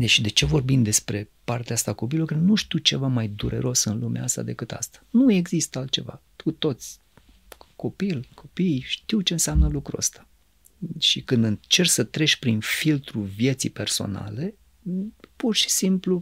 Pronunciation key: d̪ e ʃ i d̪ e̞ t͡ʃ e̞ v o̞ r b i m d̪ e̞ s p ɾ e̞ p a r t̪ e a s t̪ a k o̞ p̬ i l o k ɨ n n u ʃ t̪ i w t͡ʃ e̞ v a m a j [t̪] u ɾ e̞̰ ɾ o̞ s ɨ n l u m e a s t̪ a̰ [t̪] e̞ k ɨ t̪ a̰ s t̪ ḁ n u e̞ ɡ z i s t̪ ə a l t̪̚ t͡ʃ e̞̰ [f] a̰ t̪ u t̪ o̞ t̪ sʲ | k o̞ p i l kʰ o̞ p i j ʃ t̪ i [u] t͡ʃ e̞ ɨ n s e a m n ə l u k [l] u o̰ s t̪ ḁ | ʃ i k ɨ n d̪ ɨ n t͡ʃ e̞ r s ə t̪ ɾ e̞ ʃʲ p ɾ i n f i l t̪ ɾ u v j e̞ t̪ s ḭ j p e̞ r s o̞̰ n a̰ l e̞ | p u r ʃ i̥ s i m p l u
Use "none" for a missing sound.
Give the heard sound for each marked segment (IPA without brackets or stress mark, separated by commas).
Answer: d̪, d̪, v, w, ɾ